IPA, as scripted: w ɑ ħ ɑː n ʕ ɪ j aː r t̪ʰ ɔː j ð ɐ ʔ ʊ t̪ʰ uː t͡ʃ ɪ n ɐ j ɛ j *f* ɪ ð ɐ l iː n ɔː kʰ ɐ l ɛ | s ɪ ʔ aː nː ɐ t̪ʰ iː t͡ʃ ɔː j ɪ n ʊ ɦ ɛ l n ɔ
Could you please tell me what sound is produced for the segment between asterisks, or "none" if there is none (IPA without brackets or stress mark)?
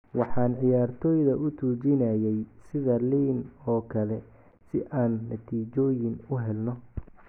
s